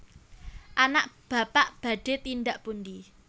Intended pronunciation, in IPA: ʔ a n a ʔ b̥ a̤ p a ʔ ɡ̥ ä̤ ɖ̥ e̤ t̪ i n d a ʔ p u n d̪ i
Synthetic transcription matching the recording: ʔ a n a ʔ b̥ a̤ p a ʔ b̥ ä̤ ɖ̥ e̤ t̪ i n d a ʔ p u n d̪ i